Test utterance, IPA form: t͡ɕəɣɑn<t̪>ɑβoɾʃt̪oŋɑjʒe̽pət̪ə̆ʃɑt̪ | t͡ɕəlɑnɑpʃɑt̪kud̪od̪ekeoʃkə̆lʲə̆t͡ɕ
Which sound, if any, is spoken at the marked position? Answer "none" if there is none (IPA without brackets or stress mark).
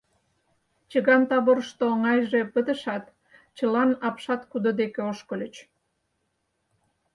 t̪